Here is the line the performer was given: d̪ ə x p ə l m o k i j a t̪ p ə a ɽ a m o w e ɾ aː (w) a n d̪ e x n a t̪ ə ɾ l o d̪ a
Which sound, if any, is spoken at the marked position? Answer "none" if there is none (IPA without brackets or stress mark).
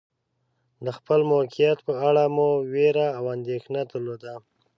w